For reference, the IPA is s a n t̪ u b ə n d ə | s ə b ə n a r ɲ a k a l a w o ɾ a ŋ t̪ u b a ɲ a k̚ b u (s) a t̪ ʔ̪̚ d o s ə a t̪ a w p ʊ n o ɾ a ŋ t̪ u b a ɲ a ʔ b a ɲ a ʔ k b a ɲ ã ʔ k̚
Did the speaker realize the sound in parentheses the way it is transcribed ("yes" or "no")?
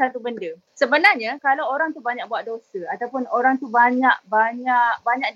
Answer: no